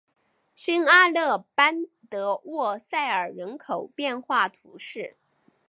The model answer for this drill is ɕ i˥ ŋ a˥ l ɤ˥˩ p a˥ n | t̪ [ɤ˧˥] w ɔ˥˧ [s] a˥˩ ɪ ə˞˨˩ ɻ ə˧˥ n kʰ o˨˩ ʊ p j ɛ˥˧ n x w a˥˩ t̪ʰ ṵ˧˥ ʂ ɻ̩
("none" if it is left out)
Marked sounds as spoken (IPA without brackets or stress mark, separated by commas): ɤ˧˥, s